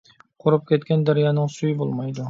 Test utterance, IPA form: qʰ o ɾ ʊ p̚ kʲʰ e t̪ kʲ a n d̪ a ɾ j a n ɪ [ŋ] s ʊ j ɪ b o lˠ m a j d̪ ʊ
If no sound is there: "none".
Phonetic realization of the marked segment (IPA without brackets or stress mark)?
ŋ